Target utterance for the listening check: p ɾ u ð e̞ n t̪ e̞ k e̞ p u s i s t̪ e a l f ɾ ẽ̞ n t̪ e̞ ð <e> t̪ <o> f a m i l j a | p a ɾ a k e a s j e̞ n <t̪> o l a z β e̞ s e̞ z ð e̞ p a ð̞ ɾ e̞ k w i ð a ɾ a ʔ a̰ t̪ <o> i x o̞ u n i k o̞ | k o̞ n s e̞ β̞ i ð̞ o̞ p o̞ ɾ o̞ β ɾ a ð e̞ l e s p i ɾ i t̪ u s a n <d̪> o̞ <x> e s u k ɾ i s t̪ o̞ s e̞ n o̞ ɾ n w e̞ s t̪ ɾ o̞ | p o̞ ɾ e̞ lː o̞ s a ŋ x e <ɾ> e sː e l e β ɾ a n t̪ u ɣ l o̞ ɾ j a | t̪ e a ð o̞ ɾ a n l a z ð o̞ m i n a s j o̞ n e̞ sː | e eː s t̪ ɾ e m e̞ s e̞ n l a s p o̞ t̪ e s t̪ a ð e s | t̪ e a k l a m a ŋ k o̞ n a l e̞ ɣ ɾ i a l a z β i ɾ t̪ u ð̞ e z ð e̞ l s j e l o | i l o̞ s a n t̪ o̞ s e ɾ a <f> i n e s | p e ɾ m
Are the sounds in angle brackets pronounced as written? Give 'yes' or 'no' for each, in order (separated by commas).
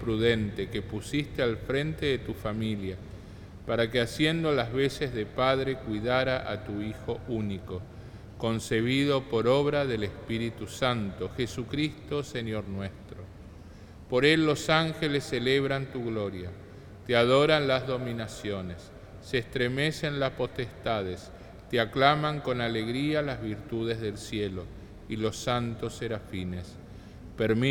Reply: yes, no, no, no, no, yes, no, yes